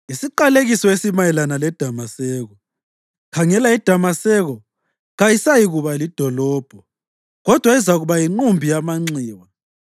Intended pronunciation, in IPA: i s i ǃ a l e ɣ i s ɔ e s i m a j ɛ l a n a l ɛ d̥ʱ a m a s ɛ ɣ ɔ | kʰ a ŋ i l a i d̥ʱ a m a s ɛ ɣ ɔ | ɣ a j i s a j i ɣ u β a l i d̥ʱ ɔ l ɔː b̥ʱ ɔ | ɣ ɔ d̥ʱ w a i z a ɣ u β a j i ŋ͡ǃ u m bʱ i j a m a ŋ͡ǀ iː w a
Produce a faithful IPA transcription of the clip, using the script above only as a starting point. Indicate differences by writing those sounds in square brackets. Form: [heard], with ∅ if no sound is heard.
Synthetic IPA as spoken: i s i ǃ a l e ɣ i s ɔ e s i m a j ɛ l a n a l ɛ d̥ʱ a m a s ɛ ɣ ɔ | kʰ a ŋ [ɛ] l a i d̥ʱ a m a s ɛ ɣ ɔ | ɣ a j i s a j i ɣ u β a l i d̥ʱ ɔ l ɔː b̥ʱ ɔ | ɣ ɔ d̥ʱ w a i z a ɣ u β a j i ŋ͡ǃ u m bʱ i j a m a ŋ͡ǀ iː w a